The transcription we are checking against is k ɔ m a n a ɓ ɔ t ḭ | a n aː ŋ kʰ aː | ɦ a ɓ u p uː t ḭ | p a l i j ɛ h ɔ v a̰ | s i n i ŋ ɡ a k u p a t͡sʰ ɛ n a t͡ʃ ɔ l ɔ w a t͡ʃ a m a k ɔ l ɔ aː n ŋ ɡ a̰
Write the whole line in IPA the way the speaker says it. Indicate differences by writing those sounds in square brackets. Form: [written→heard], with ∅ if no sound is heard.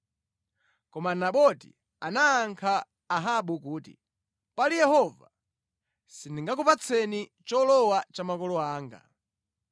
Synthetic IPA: k ɔ m a n a ɓ ɔ t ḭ | a n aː ŋ kʰ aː | ɦ a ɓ u [p→k] uː t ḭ | p a l i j ɛ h ɔ v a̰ | s i n i ŋ ɡ a k u p a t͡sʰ ɛ n [a→i] t͡ʃ ɔ l ɔ w a t͡ʃ a m a k ɔ l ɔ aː [n→∅] ŋ ɡ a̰